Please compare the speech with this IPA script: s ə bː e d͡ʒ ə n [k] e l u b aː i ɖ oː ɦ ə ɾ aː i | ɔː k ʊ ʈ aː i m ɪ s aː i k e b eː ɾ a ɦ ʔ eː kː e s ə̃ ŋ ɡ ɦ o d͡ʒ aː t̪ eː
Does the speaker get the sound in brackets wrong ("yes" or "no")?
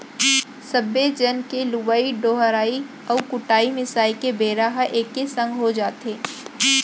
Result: no